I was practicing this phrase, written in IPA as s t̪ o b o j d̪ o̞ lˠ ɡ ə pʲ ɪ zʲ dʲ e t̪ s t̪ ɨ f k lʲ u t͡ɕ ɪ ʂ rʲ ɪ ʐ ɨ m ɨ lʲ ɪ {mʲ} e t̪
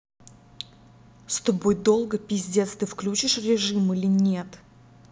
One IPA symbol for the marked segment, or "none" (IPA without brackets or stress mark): nʲ